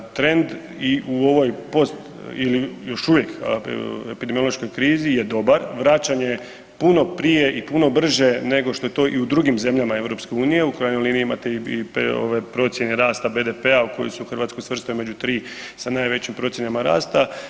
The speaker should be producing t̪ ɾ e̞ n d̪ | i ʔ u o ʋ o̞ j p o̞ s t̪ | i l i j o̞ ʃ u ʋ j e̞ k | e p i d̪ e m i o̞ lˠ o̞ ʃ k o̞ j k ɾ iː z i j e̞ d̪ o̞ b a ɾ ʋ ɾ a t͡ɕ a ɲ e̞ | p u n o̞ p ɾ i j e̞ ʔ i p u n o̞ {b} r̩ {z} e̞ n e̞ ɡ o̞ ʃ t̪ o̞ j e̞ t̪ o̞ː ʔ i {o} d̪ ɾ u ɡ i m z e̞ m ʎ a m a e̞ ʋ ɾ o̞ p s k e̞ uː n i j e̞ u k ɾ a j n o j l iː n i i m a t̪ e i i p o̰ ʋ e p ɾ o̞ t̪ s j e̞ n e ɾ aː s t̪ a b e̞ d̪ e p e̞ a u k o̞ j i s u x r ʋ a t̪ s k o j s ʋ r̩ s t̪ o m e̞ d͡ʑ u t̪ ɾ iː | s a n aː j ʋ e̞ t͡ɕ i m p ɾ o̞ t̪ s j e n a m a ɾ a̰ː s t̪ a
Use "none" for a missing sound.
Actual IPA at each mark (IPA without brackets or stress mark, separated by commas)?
b, ʒ, u